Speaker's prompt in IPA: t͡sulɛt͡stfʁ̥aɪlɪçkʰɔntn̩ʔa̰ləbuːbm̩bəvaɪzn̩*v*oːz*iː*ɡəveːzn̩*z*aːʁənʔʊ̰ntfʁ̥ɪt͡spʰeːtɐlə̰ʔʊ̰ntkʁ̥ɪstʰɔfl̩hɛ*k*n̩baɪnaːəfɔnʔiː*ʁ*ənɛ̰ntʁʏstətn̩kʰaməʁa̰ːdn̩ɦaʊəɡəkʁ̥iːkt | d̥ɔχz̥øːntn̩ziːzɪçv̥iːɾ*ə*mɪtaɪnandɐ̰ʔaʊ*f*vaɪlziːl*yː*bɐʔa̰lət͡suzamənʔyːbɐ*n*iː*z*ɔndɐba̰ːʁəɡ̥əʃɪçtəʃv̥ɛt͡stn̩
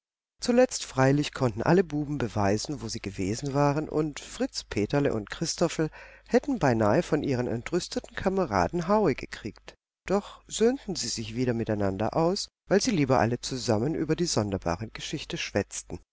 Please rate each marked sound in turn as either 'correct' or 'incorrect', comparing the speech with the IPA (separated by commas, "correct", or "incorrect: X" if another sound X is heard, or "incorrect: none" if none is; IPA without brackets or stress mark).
correct, correct, incorrect: v, incorrect: t, correct, incorrect: ɐ, incorrect: s, incorrect: iː, incorrect: d, correct